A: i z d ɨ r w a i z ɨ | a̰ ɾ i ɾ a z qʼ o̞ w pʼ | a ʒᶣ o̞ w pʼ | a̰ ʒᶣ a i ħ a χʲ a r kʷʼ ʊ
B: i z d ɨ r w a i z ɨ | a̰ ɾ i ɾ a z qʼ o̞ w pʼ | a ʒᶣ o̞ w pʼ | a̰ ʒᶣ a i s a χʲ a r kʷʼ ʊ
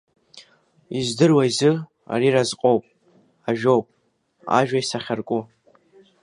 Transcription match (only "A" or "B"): B